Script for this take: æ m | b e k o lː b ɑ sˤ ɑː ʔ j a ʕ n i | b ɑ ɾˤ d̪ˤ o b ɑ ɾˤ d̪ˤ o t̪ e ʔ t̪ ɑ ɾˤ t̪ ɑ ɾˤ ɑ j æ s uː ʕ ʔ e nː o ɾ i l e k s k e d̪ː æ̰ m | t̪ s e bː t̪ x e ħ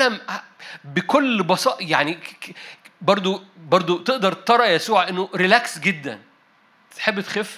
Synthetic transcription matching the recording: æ m | b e k o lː b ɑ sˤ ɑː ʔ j a ʕ n i | b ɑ ɾˤ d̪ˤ o b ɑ ɾˤ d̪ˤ o t̪ e ʔ d̪ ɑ ɾˤ t̪ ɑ ɾˤ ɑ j æ s uː ʕ ʔ e nː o ɾ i l æ k s ɡ e d̪ː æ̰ n | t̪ ħ e bː t̪ x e f